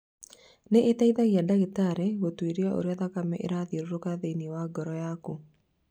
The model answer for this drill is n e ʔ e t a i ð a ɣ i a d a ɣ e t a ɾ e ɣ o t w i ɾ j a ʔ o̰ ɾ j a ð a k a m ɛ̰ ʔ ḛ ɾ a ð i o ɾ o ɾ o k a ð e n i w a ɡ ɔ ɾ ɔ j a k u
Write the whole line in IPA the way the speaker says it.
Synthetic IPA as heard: n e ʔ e t a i ð a ɣ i a d a ɣ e t a ɾ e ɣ o t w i ɾ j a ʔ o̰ ɾ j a ð a k a m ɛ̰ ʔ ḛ ɾ a ð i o ɾ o ɾ o k a ð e n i w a ɡ ɔ ɾ ɔ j a k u